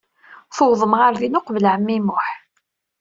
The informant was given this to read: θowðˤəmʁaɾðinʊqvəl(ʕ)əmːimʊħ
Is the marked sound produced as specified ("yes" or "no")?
yes